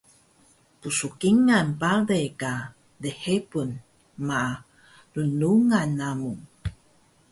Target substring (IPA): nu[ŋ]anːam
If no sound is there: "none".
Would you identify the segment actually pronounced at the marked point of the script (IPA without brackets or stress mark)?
ŋ